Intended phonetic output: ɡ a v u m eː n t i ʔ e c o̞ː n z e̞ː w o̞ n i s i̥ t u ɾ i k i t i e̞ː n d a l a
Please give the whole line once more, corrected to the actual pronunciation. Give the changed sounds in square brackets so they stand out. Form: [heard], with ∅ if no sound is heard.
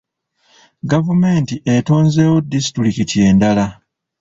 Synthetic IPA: ɡ a v u m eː n t i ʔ e [t] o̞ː n z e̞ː w o̞ [d] i s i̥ t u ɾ i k i t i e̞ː n d a l a